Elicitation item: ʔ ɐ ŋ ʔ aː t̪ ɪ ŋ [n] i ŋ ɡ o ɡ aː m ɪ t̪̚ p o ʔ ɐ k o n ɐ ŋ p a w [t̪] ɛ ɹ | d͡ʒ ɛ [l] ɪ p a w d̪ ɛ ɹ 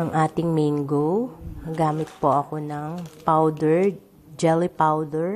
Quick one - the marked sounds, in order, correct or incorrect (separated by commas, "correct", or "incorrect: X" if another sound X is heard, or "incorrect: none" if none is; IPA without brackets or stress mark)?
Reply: incorrect: m, incorrect: d̪, correct